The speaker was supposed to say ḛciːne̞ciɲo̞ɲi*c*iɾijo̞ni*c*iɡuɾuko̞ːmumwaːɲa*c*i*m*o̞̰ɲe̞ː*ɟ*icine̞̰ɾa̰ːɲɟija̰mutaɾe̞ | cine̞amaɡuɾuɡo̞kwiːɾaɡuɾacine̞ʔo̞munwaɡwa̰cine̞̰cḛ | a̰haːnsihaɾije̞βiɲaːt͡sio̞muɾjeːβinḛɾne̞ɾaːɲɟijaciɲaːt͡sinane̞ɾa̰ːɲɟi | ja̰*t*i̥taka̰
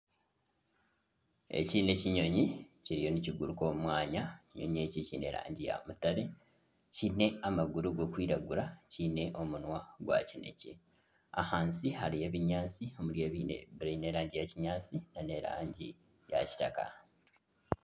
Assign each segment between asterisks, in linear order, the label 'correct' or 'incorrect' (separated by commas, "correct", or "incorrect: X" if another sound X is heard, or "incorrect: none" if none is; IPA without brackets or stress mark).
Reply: correct, correct, correct, incorrect: ɲ, incorrect: c, incorrect: c